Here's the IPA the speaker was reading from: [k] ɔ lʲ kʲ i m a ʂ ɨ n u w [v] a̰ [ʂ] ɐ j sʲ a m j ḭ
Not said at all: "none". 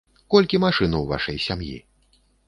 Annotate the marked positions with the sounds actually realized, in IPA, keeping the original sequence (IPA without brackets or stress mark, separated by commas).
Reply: k, v, ʂ